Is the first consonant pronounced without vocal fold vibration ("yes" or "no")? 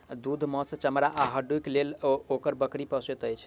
no